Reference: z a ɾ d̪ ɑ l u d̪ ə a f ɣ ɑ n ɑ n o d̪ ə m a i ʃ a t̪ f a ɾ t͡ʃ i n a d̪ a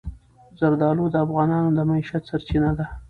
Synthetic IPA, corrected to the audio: z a ɾ d̪ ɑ l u d̪ ə a f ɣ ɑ n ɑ n o d̪ ə m a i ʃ a t̪ s a ɾ t͡ʃ i n a d̪ a